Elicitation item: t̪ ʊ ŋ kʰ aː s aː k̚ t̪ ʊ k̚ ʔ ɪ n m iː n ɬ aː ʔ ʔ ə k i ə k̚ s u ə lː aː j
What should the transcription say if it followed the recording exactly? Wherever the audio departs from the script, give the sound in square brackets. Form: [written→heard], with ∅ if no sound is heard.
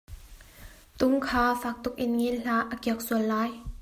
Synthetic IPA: t̪ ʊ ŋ kʰ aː [s→f] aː k̚ t̪ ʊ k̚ ʔ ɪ n [m→ŋ] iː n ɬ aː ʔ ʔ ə k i ə k̚ s u ə lː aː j